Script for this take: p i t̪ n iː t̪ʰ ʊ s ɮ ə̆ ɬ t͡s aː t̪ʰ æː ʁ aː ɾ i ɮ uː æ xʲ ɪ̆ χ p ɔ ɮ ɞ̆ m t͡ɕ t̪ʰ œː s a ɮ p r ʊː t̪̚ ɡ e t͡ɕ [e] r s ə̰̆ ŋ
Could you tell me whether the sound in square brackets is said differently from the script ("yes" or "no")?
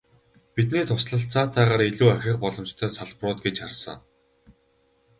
yes